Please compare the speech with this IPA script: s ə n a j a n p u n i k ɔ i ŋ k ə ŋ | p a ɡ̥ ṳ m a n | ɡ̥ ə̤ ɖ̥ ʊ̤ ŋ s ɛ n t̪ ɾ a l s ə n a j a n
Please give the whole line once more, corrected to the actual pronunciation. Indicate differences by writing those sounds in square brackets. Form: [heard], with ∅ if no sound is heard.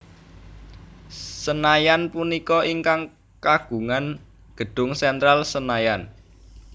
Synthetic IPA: s ə n a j a n p u n i k ɔ i ŋ k [a] ŋ | [k] a ɡ̥ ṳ [ŋ] a n | ɡ̥ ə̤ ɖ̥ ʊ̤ ŋ s ɛ n t̪ ɾ a l s ə n a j a n